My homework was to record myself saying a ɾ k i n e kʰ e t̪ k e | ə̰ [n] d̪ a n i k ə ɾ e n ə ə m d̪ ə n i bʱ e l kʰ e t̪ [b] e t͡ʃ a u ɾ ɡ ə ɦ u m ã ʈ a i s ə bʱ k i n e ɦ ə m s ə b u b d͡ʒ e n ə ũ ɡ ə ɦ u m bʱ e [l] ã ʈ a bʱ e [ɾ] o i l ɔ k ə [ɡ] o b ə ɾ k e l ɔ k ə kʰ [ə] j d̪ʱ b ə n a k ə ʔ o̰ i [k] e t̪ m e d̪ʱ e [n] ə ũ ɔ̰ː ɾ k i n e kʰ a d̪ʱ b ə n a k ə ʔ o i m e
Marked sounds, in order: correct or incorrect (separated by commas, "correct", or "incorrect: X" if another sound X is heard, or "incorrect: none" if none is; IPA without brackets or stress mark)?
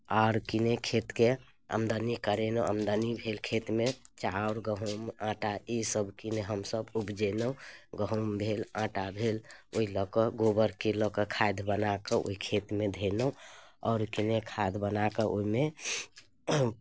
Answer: incorrect: m, incorrect: m, correct, incorrect: l, correct, incorrect: a, incorrect: kʰ, correct